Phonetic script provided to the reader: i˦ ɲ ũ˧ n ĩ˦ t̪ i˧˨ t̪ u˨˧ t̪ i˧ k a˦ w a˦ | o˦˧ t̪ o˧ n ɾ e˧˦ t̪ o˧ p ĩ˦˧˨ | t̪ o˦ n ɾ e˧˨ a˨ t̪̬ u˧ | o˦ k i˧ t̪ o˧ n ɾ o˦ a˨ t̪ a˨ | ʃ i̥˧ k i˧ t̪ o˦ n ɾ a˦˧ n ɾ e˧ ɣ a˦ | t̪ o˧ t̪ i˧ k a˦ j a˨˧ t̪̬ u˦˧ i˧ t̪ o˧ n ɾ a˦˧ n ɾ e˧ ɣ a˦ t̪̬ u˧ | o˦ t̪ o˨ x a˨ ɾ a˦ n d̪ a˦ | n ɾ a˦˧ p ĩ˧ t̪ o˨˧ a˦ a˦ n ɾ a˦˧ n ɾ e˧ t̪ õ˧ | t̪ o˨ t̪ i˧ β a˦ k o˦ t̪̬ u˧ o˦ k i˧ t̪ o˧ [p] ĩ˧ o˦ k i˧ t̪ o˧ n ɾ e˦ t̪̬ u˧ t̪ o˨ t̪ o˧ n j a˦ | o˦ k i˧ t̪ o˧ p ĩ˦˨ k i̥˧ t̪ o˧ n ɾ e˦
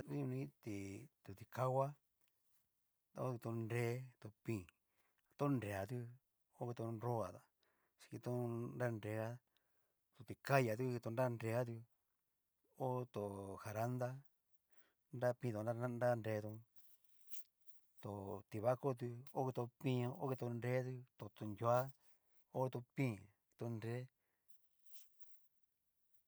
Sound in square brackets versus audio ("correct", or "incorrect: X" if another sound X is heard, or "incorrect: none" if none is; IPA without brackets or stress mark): correct